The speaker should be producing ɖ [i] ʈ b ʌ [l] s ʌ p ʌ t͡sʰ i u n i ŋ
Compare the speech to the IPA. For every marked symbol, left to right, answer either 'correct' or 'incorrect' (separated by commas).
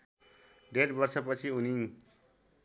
incorrect, incorrect